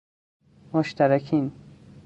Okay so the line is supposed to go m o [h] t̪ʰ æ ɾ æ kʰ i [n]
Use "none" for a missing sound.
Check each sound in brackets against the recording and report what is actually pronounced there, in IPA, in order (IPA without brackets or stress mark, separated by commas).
ʃ, n